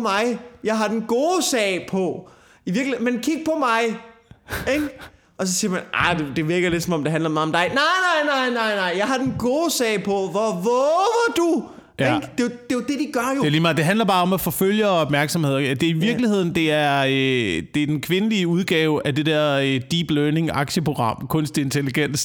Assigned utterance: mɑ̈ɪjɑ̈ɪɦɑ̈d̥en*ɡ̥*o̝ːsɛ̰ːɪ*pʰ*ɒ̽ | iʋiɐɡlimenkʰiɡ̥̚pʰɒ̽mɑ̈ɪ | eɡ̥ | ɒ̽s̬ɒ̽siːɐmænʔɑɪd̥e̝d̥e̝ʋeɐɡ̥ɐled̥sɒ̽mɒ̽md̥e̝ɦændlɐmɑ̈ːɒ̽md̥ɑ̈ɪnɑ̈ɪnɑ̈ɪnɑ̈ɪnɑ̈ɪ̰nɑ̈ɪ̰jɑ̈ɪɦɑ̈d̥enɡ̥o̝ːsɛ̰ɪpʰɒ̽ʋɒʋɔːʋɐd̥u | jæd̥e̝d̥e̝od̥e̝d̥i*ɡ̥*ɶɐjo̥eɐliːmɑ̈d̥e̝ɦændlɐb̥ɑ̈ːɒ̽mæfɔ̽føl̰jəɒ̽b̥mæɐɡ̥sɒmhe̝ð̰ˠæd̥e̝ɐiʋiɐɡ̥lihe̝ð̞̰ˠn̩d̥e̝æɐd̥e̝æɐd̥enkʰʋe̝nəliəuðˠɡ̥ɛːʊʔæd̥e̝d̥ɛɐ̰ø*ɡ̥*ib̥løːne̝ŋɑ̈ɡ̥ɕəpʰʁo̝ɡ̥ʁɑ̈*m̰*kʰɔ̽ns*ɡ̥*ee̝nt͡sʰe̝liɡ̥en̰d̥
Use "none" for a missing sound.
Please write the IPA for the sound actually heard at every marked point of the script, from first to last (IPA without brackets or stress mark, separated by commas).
ɡ̥, pʰ, ɡ̥, d̥, m̰, d̥